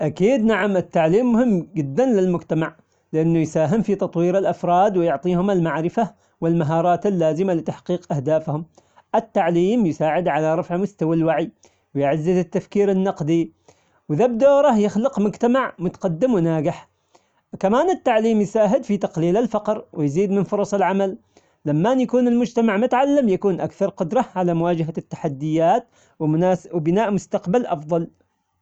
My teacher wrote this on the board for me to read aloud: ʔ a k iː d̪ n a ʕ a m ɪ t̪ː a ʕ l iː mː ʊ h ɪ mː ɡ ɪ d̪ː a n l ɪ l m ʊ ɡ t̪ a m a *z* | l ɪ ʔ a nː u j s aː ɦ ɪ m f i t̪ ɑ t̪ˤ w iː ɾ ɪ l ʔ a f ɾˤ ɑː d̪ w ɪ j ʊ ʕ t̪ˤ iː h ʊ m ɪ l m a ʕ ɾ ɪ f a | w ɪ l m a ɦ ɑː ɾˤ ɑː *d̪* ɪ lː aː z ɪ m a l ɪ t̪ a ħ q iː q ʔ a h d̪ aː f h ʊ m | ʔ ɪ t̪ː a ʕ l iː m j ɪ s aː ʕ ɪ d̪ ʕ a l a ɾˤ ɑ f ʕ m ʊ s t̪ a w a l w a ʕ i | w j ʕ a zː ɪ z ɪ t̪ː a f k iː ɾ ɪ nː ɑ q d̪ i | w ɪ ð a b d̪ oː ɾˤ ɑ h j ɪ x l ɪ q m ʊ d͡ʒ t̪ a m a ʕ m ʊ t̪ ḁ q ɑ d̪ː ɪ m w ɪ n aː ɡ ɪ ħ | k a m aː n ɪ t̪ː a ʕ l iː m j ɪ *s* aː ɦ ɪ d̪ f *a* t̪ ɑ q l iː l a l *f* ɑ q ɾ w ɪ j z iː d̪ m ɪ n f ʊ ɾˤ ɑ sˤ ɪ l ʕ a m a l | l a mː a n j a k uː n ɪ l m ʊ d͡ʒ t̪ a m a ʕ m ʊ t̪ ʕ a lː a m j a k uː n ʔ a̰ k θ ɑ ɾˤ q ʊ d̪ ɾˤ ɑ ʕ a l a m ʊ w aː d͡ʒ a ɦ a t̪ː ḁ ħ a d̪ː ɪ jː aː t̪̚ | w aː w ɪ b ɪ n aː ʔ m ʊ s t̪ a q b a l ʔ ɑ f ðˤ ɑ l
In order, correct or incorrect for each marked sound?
incorrect, incorrect, correct, incorrect, correct

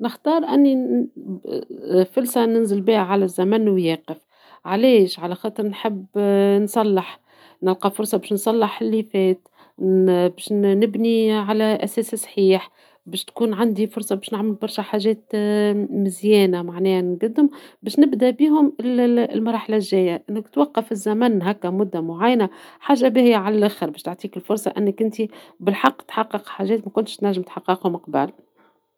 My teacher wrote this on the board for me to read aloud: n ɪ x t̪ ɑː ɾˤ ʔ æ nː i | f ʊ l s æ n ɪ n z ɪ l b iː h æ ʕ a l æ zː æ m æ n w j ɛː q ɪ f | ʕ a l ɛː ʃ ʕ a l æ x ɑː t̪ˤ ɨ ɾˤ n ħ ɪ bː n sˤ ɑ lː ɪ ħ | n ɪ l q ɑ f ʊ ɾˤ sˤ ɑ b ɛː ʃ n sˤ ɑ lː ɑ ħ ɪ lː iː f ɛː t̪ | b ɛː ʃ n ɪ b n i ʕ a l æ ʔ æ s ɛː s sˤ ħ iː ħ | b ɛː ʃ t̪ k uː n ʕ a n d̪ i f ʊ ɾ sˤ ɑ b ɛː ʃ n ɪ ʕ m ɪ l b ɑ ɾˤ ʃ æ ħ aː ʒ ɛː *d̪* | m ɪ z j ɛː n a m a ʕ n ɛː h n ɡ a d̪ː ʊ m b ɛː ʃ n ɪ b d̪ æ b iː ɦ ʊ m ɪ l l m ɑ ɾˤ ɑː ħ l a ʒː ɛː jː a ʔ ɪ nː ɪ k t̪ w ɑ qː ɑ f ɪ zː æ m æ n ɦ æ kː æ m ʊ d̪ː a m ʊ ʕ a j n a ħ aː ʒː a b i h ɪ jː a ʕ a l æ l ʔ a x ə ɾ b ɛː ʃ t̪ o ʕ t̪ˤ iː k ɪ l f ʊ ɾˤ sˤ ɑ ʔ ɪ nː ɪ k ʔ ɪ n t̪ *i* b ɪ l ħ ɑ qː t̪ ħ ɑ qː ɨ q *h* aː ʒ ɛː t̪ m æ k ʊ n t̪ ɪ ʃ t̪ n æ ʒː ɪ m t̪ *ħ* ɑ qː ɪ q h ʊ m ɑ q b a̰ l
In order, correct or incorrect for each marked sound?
incorrect, correct, incorrect, correct

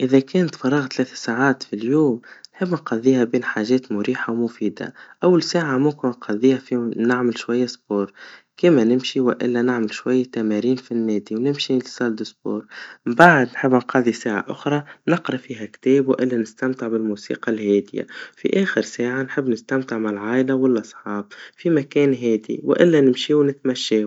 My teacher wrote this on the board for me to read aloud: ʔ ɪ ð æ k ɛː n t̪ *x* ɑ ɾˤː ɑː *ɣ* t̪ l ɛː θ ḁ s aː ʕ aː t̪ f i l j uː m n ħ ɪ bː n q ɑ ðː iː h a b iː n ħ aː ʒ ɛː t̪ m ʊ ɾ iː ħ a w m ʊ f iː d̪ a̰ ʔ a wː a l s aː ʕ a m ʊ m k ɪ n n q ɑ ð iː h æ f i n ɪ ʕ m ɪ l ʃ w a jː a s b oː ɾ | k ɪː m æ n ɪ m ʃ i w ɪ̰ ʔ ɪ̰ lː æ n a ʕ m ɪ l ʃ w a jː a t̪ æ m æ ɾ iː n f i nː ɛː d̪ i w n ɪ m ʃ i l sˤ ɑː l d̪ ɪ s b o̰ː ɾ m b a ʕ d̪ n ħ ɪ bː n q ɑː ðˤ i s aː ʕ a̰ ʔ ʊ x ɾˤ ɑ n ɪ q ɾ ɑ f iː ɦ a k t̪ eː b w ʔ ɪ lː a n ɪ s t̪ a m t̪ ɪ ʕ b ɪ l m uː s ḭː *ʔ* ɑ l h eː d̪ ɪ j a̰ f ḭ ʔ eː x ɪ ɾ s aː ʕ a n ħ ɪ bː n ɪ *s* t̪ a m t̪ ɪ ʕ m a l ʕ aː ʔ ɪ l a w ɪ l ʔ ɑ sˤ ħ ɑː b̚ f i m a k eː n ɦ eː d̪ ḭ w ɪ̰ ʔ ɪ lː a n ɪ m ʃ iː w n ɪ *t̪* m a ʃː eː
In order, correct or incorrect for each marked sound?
incorrect, correct, incorrect, correct, correct

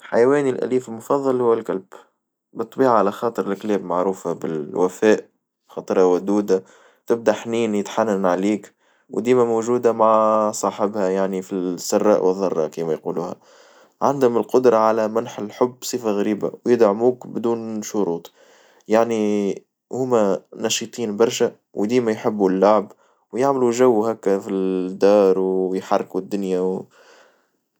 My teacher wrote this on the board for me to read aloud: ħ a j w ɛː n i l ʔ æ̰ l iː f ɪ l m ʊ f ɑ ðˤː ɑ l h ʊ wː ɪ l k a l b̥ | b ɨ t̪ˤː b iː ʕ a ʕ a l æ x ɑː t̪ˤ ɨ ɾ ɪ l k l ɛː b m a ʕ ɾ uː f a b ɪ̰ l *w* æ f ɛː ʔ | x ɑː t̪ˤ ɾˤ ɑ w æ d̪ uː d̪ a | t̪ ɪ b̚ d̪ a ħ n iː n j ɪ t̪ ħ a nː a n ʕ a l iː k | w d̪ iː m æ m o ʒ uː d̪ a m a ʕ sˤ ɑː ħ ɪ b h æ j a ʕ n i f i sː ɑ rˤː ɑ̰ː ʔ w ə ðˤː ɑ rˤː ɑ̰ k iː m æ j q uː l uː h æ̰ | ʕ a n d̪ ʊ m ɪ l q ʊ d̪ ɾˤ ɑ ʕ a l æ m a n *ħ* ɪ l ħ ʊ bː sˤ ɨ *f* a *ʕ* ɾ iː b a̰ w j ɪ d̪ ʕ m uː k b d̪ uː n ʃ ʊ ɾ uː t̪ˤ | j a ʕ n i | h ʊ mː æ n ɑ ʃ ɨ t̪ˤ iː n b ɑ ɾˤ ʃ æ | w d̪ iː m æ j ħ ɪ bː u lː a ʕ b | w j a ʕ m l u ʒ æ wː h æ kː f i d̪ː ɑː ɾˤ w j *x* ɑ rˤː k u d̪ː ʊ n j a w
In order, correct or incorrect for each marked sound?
correct, correct, correct, incorrect, incorrect

